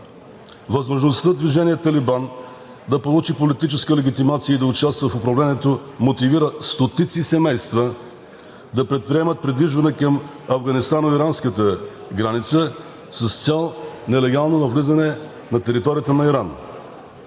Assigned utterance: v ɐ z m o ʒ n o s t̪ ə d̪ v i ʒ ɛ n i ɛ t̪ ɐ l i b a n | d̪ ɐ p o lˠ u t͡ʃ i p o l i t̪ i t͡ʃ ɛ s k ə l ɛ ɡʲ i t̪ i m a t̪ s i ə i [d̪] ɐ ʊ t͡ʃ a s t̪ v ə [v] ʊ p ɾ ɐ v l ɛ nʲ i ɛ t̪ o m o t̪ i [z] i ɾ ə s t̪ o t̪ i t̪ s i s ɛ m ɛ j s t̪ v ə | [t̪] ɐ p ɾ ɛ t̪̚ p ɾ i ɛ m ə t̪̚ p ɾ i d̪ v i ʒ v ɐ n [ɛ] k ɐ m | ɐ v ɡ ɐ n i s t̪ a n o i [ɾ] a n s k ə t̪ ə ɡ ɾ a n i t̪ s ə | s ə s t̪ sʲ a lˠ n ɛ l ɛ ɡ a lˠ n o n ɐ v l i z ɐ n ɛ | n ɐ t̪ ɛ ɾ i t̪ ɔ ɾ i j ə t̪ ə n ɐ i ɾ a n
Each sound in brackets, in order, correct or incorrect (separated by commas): correct, incorrect, incorrect, incorrect, correct, correct